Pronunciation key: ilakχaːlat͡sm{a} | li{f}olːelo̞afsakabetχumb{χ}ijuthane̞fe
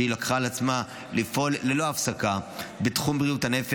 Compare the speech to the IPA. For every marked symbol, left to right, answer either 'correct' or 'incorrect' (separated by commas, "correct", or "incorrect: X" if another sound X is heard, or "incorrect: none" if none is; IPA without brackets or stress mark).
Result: correct, correct, incorrect: ʁ